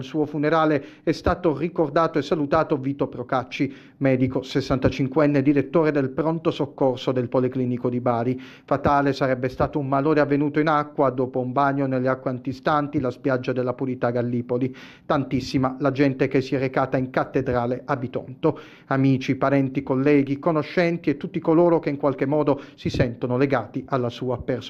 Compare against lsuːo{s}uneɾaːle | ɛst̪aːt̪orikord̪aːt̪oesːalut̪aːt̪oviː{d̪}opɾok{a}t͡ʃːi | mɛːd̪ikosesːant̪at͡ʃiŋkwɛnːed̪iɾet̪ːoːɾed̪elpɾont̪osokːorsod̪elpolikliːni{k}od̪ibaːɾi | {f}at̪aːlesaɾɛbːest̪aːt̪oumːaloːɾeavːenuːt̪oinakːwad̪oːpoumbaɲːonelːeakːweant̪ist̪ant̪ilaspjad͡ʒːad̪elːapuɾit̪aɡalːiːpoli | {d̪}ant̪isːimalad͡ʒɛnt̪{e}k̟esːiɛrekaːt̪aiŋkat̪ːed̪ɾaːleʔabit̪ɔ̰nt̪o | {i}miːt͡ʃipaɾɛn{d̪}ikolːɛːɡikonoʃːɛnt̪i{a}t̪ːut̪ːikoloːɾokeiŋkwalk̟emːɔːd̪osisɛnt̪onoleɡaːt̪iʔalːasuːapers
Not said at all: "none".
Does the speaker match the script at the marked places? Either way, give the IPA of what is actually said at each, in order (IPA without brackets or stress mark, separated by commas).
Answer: f, t̪, a, k, f, t̪, e, a, t̪, e